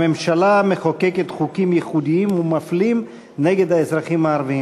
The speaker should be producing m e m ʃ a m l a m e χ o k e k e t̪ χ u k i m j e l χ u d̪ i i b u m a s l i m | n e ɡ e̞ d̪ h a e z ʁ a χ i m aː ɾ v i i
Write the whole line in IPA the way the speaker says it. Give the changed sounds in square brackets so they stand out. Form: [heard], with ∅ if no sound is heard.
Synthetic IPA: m e m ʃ a [∅] l a m e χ o k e k e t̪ χ u k i m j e [∅] χ u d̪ i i [m] u m a [f] l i m | n e ɡ e̞ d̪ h a e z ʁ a χ i m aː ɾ v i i

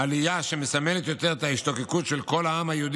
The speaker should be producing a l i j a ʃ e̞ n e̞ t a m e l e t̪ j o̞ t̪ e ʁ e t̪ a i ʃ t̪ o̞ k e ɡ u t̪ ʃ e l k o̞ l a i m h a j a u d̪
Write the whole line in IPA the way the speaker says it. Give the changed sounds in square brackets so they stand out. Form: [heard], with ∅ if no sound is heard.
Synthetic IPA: a l i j a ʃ e̞ [m] e̞ [s] a m e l e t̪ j o̞ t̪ e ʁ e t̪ a i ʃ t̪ o̞ k e [k] u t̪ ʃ e l k o̞ l a [a] m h a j [e] u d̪

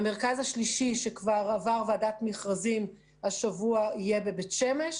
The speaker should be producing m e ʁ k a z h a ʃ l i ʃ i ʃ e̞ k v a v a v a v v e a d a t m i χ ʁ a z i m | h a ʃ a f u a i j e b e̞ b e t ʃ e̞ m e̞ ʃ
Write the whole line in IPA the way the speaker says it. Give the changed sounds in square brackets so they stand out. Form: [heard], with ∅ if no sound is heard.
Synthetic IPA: m e ʁ k a z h a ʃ l i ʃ i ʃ e̞ k v a [ʁ] a v a [ʁ] v e a d a t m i χ ʁ a z i m | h a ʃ a [v] u a i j e b e̞ b e t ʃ e̞ m e̞ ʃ

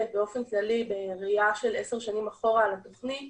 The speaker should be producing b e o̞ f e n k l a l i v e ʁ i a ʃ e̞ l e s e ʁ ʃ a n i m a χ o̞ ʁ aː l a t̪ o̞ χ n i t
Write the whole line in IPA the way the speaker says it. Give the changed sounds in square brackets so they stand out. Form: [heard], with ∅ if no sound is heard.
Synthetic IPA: b e o̞ f e n k l a l i [b] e ʁ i a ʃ e̞ l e s e ʁ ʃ a n i m a χ o̞ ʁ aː l a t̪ o̞ χ n i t

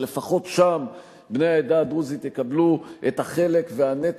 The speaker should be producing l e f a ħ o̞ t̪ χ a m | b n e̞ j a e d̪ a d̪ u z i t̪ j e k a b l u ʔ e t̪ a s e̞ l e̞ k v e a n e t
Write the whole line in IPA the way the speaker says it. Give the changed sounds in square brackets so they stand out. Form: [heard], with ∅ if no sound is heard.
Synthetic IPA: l e f a [χ] o̞ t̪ [ʃ] a m | b n e̞ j a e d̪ a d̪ u z i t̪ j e k a b l u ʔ e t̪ a [χ] e̞ l e̞ k v e a n e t

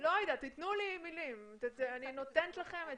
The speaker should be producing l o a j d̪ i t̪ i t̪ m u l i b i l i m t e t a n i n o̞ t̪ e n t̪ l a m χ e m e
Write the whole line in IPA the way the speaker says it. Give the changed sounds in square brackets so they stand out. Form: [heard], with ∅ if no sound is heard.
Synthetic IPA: l o a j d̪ [a] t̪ i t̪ [n] u l i [m] i l i m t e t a n i n o̞ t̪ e n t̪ l a [∅] χ e m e

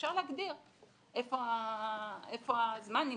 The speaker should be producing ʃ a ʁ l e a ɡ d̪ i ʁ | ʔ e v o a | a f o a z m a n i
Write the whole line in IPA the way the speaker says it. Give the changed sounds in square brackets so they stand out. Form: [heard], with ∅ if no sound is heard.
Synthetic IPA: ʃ a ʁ l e a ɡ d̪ i ʁ | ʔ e [f] o a | [e] f o a z m a n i

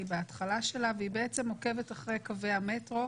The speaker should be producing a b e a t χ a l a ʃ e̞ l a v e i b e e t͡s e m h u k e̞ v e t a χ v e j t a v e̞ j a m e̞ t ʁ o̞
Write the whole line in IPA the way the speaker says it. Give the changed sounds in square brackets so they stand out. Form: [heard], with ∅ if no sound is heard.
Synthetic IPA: [i] b e a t χ a l a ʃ e̞ l a v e i b e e t͡s e m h [o] k e̞ v e t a χ [ʁ] e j [k] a v e̞ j a m e̞ t ʁ o̞

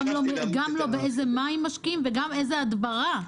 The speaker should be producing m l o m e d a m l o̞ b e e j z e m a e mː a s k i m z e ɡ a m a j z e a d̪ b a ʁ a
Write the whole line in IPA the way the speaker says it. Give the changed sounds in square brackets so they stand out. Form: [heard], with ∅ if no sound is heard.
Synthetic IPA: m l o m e [ɡ] a m l o̞ b e e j z e m a [i] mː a [ʃ] k i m [v] e ɡ a m [e] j z e a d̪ b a ʁ a

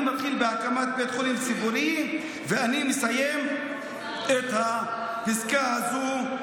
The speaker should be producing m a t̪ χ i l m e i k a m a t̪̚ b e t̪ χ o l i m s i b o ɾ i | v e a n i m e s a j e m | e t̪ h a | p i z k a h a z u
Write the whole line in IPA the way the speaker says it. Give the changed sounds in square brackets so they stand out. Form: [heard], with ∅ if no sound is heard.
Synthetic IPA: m a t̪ χ i l [b] e [a] k a m a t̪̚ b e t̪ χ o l i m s i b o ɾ i | v e a n i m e s a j e m | e t̪ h a | p i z k a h a z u

